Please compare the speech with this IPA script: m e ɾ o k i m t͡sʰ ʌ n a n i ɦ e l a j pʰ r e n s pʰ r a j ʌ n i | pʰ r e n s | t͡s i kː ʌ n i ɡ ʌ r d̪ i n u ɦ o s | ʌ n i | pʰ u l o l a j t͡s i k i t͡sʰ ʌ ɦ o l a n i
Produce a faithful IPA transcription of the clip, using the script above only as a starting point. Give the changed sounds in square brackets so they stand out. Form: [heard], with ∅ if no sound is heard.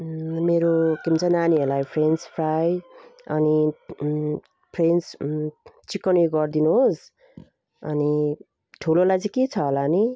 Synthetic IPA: m e ɾ o k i m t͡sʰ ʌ n a n i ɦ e l a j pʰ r e n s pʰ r a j ʌ n i | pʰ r e n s | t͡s i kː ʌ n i ɡ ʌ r d̪ i n u ɦ o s | ʌ n i | [ʈʰ] u l o l a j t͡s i k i t͡sʰ ʌ ɦ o l a n i